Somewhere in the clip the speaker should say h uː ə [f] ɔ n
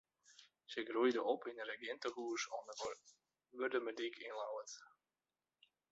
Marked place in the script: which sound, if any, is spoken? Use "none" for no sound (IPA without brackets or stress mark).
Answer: s